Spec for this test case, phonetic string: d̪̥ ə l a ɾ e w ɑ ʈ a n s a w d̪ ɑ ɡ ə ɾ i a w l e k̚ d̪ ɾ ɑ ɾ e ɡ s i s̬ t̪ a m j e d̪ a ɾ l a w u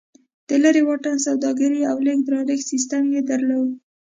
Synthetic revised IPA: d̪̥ ə l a ɾ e w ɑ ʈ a n s a w d̪ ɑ ɡ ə ɾ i a w l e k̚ d̪ ɾ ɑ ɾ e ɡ s i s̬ t̪ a m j e d̪ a ɾ l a w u